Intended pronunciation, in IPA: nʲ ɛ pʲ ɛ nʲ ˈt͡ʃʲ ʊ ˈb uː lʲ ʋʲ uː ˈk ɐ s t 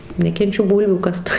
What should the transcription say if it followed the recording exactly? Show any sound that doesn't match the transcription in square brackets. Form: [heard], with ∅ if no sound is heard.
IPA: nʲ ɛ [kʲ] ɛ nʲ ˈt͡ʃʲ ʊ ˈb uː lʲ ʋʲ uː ˈk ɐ s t